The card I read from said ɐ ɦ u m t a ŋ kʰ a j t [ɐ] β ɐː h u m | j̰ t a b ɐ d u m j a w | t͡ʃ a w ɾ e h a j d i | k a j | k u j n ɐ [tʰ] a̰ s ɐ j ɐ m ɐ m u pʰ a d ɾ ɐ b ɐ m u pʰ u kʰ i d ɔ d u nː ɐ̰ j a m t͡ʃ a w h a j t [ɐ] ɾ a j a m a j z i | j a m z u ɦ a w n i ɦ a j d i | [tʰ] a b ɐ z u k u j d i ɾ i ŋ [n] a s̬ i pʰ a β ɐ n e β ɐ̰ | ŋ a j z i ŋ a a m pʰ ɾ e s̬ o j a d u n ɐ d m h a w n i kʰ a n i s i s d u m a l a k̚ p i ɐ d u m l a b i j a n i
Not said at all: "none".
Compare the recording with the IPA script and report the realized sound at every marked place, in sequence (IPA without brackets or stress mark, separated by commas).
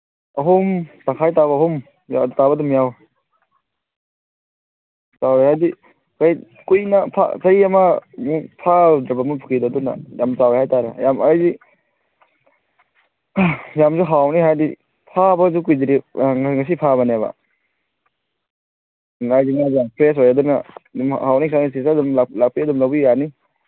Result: a, pʰ, a, pʰ, ŋ